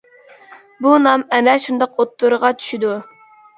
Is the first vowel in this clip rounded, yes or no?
yes